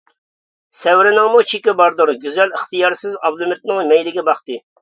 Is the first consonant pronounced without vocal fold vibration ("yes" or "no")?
yes